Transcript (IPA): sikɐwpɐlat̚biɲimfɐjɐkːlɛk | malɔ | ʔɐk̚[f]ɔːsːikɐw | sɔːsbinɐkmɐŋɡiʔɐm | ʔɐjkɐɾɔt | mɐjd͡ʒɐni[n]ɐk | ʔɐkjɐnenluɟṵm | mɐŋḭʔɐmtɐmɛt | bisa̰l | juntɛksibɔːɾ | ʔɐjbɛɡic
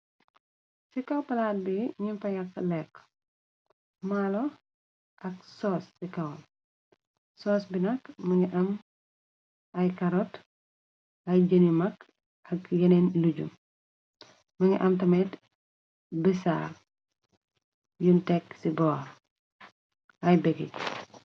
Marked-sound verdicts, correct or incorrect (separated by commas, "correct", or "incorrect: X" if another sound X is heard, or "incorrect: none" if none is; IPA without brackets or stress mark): incorrect: s, incorrect: m